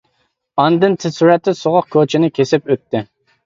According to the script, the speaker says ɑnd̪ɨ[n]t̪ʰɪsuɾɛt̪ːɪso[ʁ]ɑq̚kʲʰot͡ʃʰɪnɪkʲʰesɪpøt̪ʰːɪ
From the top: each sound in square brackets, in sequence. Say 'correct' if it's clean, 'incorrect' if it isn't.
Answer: correct, correct

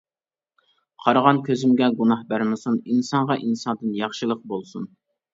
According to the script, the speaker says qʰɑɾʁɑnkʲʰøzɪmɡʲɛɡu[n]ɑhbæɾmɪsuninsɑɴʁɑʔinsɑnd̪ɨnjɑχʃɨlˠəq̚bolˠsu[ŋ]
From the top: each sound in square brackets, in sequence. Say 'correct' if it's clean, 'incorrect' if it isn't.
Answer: correct, incorrect

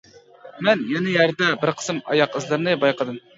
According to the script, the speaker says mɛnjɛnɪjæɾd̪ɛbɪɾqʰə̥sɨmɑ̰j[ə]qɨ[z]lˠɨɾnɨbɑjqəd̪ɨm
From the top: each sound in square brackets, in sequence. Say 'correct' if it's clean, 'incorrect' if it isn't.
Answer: incorrect, correct

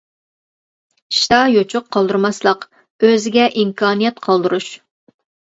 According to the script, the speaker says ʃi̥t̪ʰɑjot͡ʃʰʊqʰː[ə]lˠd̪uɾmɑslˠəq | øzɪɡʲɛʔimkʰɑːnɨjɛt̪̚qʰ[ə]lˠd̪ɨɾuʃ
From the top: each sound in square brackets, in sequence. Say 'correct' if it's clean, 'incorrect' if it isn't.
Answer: incorrect, incorrect

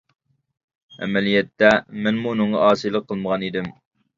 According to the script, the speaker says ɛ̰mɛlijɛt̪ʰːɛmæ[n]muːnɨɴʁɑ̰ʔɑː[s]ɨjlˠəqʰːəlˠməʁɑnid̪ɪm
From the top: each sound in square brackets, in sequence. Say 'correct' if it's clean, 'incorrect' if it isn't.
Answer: correct, correct

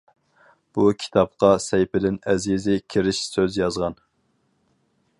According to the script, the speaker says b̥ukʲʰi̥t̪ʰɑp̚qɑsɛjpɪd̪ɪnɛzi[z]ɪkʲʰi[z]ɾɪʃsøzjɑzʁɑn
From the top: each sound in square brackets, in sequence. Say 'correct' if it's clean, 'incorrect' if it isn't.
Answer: correct, incorrect

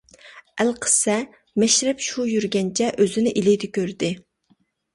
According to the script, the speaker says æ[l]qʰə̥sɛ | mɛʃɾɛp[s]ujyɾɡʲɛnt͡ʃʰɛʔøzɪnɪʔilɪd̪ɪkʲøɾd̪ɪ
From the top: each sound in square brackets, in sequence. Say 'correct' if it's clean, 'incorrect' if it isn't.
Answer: correct, incorrect

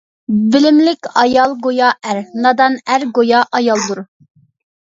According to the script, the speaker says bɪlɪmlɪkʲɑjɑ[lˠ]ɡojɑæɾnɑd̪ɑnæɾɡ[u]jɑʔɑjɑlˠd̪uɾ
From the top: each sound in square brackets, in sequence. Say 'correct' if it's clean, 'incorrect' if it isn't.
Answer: correct, incorrect

